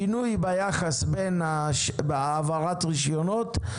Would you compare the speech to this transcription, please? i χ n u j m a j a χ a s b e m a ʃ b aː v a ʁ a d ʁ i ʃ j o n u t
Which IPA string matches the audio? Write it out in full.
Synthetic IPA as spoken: i n u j b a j a χ a s b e n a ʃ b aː v a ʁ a t ʁ i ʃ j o n o t